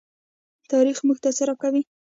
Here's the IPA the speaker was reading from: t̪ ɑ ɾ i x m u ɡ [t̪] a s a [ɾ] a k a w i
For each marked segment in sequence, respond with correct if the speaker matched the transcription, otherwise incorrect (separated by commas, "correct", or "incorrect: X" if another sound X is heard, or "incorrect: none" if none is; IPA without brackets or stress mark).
correct, correct